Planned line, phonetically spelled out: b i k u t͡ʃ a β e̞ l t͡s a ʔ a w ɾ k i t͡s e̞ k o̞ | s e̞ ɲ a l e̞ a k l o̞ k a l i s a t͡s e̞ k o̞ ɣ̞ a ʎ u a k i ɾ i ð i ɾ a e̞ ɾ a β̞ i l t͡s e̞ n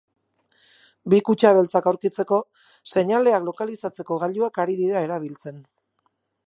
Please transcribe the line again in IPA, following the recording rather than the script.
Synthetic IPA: b i k u t͡ʃ a β e̞ l t͡s a k a w ɾ k i t͡s e̞ k o̞ | s e̞ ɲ a l e̞ a k l o̞ k a l i s a t͡s e̞ k o̞ ɣ̞ a ʎ u a k a ɾ i ð i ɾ a e̞ ɾ a β̞ i l t͡s e̞ n